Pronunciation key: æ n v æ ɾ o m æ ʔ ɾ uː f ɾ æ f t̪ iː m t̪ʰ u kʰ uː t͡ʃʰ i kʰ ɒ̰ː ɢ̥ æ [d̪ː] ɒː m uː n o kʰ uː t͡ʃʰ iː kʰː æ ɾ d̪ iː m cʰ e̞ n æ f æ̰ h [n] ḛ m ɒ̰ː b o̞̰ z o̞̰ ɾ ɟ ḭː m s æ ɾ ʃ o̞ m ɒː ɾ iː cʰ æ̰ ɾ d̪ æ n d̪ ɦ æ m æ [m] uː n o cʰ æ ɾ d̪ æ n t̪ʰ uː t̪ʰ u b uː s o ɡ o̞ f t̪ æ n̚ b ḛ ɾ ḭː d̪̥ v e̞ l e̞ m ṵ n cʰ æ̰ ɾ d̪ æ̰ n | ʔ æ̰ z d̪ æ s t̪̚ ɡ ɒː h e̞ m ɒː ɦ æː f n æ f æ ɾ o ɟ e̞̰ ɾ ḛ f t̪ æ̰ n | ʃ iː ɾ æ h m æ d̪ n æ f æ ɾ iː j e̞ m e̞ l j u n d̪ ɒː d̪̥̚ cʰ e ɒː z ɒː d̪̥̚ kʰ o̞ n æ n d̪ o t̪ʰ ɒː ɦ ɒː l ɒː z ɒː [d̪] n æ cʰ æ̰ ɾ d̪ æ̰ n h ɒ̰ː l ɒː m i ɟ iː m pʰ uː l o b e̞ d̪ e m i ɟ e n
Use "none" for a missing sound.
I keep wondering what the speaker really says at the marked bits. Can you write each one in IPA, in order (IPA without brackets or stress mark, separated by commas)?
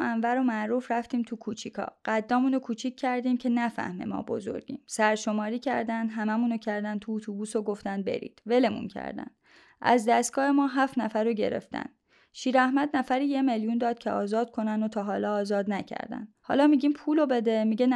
d̪ː, m, m, d̪